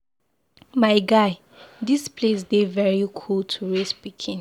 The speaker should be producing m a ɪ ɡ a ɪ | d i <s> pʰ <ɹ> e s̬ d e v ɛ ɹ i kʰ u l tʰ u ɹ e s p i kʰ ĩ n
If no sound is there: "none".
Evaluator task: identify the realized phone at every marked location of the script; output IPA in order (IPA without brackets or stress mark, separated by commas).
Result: s, l